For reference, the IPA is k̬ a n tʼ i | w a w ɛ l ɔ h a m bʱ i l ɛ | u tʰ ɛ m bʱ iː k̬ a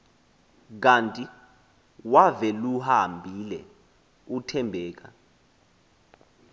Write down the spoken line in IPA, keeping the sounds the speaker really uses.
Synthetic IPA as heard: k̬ a n tʼ i | w a v ɛ l u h a m bʱ i l ɛ | u tʰ ɛ m bʱ ɛː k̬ a